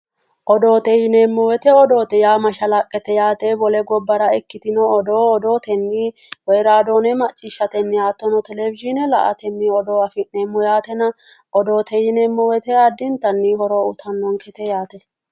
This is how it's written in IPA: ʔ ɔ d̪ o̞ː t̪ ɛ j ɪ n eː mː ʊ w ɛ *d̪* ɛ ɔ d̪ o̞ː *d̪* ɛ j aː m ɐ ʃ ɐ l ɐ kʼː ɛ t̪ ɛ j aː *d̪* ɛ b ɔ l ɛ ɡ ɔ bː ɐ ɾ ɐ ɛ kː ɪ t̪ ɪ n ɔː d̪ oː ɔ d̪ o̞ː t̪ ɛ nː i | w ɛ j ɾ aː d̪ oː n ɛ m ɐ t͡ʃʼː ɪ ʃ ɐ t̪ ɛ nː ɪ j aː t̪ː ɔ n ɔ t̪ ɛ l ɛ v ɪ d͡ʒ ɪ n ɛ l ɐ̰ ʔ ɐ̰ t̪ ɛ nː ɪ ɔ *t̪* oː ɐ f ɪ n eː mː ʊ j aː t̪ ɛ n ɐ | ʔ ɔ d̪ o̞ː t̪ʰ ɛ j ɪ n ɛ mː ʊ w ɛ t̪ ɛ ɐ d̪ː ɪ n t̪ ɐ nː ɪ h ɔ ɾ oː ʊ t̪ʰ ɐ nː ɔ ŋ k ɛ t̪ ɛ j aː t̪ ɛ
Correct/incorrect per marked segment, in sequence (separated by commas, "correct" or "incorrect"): incorrect, incorrect, incorrect, incorrect